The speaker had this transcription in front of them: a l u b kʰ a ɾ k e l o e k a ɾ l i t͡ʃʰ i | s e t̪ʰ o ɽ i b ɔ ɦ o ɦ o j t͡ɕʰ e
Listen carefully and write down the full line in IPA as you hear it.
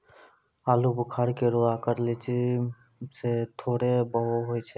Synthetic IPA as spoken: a l u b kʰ a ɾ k e ɾ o a k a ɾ l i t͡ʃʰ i | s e t̪ʰ o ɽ e b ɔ ɦ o ɦ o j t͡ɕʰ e